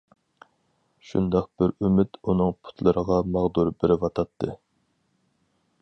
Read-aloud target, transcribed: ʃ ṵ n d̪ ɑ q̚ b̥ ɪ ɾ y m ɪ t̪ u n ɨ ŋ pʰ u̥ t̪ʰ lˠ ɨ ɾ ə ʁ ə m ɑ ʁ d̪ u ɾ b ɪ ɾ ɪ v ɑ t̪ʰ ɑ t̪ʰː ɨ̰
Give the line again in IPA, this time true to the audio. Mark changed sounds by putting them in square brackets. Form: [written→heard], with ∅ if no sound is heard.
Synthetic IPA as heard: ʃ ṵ n d̪ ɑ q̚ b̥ ɪ ɾ y m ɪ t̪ u n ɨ ŋ pʰ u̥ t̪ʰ lˠ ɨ ɾ ə ʁ [ə→ɑ] m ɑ ʁ d̪ u ɾ b ɪ ɾ ɪ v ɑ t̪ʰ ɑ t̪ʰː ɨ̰